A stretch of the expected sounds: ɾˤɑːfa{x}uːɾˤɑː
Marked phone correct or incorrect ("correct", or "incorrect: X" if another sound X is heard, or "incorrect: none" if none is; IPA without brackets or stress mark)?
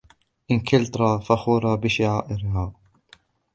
correct